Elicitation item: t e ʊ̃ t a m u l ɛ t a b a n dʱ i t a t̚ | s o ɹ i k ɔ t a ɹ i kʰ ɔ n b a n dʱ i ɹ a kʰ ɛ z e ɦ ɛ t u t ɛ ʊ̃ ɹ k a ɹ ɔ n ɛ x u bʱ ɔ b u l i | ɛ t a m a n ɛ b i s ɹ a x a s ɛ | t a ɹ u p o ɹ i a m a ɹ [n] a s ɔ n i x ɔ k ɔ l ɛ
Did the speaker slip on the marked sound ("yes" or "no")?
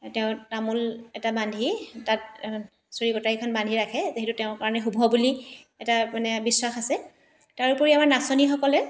no